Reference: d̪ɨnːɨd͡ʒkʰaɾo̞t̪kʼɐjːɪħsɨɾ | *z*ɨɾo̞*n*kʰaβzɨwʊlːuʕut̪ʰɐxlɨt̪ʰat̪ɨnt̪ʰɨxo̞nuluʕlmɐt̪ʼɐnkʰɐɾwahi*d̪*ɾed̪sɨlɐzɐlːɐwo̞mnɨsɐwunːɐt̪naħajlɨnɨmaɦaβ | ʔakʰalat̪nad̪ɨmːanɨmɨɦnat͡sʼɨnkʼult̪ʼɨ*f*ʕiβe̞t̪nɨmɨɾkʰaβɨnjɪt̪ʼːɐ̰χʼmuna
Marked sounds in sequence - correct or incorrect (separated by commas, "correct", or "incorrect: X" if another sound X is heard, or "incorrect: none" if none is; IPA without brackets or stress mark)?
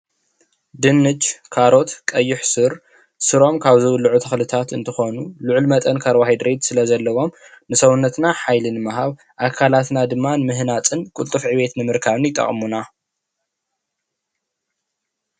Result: incorrect: s, incorrect: m, correct, correct